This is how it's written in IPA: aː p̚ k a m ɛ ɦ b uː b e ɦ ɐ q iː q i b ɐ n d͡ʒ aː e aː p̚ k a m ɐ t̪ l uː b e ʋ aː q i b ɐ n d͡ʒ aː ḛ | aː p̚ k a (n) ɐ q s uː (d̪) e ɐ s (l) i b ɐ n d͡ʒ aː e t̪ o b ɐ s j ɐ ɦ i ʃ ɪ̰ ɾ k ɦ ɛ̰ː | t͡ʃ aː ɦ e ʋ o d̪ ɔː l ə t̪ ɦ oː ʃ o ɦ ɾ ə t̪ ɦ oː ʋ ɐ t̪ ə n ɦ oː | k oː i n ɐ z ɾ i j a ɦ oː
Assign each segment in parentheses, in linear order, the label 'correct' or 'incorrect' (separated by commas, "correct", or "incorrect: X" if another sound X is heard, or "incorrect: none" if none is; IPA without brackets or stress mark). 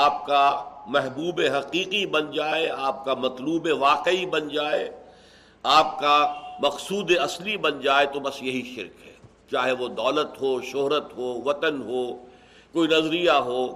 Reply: incorrect: m, correct, correct